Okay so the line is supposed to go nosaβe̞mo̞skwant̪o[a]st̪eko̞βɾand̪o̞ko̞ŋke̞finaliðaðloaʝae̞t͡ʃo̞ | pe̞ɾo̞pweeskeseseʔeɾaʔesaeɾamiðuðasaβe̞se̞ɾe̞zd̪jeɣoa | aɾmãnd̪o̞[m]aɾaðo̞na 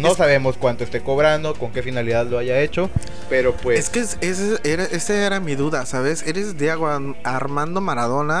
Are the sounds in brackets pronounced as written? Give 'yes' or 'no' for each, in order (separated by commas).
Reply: no, yes